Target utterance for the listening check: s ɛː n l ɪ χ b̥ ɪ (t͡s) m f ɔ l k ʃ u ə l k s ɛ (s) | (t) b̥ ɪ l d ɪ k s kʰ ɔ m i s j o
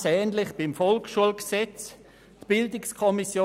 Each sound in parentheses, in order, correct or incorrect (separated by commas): incorrect, incorrect, correct